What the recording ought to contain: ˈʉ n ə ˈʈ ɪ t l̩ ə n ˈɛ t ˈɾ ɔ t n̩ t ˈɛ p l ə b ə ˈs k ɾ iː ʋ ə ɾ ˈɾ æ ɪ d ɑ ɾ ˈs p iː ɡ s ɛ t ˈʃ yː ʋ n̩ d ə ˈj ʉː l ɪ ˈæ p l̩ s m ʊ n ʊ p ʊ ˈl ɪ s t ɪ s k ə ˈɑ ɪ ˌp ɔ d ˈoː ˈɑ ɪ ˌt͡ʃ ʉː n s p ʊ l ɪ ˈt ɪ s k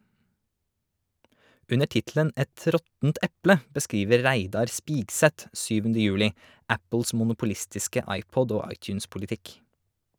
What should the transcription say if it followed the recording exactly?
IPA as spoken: ˈʉ n ə ˈʈ ɪ t l̩ ə n ˈɛ t ˈɾ ɔ t n̩ t ˈɛ p l ə b ə ˈs k ɾ iː ʋ ə ɾ ˈɾ æ ɪ d ɑ ɾ ˈs p iː ɡ s ɛ t ˈʃ yː ʋ n̩ d ə ˈj ʉː l ɪ ˈæ p l̩ s m ʊ n ʊ p ʊ ˈl ɪ s t ɪ s k ə ˈɑ ɪ ˌp ɔ d ˈoː ˈɑ ɪ ˌt͡ʃ ʉː n s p ʊ l ɪ ˈt ɪ k